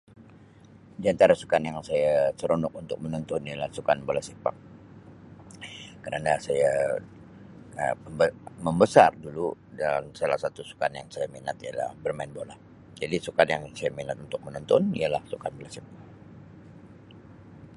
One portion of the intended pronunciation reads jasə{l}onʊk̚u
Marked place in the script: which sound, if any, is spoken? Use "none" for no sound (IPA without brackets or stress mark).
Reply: ɾ